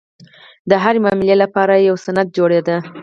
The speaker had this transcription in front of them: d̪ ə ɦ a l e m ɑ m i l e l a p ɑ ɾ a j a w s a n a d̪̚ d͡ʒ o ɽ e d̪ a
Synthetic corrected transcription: d̪ ə ɦ a ɾ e m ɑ m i l e l a p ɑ ɾ a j a w s a n a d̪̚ d͡ʒ o ɽ e d̪ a